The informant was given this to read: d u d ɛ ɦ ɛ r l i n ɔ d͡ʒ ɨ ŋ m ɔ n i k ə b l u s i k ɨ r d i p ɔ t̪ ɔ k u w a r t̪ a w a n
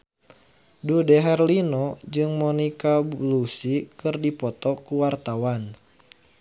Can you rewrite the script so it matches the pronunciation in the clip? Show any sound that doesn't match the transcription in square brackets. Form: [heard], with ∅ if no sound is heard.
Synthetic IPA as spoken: d u d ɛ ɦ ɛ r l i n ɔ d͡ʒ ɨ ŋ m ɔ n i k [a] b l u s i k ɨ r d i p ɔ t̪ ɔ k u w a r t̪ a w a n